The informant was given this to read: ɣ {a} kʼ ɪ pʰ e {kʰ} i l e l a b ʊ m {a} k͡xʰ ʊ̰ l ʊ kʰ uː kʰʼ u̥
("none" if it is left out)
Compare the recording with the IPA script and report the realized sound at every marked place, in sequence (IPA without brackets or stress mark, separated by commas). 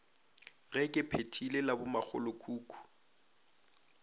ɛ, tʰ, a